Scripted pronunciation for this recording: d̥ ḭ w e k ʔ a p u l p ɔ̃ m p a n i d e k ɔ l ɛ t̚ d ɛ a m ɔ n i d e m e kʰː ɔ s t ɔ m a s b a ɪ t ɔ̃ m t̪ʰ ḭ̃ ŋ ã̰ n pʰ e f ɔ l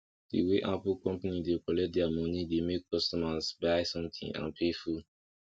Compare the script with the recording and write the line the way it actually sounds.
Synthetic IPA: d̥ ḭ w e ʔ a p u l k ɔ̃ m p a n i d e k ɔ l ɛ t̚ d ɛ a m ɔ n i d e m e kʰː ɔ s t ɔ m a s b a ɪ s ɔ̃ m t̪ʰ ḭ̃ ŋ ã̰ n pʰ e f u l